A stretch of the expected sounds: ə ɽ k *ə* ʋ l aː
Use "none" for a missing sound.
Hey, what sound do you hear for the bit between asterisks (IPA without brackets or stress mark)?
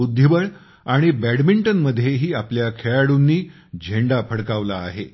a